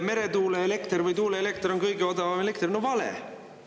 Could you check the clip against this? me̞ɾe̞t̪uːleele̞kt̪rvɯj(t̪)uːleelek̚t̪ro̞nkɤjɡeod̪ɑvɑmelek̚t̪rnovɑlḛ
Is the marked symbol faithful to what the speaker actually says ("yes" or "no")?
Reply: yes